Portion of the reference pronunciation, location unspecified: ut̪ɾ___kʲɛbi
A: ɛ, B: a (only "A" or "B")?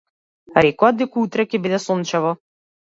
A